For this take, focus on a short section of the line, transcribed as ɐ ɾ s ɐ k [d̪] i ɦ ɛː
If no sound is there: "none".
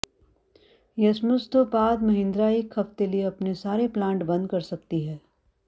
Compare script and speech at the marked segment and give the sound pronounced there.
t̪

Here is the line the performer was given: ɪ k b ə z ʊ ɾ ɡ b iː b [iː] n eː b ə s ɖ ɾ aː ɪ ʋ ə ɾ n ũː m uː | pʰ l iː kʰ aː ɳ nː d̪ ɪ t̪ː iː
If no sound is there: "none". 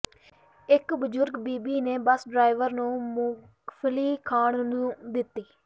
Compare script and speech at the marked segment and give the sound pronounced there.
iː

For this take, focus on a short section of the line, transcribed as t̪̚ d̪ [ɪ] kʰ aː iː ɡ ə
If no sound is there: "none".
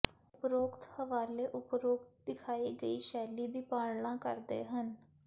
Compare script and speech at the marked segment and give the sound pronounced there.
ɪ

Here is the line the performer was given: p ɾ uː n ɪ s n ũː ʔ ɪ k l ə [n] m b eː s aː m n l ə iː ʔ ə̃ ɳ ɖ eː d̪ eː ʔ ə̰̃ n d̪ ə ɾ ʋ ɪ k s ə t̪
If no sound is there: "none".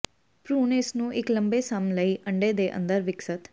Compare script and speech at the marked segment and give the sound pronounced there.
none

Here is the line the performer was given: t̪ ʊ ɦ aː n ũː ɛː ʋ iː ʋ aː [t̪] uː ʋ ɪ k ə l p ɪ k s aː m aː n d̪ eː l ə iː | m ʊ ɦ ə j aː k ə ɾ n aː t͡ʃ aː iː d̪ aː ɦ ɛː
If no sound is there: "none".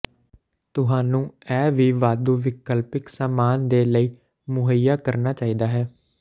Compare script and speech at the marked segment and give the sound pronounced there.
d̪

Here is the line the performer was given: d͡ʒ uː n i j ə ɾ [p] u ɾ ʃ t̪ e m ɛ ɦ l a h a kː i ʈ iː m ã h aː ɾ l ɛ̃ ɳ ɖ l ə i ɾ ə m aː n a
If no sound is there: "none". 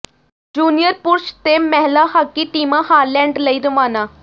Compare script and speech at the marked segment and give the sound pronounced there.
p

